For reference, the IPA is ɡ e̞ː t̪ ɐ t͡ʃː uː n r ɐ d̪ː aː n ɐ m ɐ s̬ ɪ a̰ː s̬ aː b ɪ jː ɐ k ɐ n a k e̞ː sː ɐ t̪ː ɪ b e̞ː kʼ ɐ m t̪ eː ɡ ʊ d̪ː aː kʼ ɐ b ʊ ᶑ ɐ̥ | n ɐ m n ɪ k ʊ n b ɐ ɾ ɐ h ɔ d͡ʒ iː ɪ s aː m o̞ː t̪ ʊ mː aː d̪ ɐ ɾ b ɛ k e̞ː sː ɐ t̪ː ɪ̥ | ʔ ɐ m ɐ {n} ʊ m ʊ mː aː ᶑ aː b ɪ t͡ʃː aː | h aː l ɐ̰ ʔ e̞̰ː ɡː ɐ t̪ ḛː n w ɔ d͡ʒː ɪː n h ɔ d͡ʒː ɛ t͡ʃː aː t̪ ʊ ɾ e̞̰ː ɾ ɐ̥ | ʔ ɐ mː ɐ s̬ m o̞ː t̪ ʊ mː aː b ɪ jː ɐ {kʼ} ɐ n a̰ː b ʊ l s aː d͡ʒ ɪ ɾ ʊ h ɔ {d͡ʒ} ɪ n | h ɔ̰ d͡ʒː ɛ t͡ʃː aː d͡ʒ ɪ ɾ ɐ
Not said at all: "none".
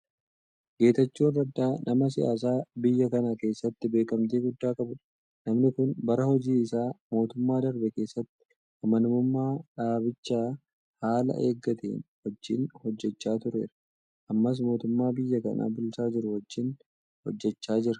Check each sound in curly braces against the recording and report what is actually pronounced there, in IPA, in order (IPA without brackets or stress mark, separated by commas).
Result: n, k, d͡ʒː